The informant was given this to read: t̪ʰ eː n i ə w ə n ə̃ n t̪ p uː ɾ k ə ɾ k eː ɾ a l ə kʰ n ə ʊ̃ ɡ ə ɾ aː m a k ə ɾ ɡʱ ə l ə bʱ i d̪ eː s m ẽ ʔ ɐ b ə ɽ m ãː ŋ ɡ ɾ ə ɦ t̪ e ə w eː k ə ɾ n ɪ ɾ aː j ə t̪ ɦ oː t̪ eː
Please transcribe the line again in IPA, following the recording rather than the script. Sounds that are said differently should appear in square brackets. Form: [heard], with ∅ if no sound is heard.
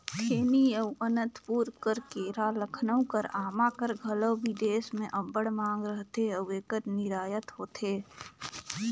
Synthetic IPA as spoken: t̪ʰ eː n i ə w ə n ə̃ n t̪ p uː ɾ k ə ɾ k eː ɾ a l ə kʰ n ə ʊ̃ [k] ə ɾ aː m a k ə ɾ ɡʱ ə l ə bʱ i d̪ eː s m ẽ ʔ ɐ b ə ɽ m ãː ŋ ɡ ɾ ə ɦ t̪ e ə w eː k ə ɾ n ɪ ɾ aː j ə t̪ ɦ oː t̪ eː